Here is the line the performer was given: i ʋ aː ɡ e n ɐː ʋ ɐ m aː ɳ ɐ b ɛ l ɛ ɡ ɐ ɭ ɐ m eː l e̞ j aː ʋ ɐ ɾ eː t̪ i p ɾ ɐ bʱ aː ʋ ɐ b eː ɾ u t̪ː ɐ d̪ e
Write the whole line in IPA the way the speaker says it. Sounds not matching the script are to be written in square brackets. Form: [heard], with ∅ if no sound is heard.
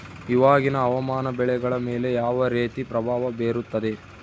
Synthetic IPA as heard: i ʋ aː ɡ [i] n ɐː ʋ ɐ m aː [n] ɐ b ɛ [ɭ] ɛ ɡ ɐ ɭ ɐ m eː l e̞ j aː ʋ ɐ ɾ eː t̪ i p ɾ ɐ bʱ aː ʋ ɐ b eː ɾ u t̪ː ɐ d̪ e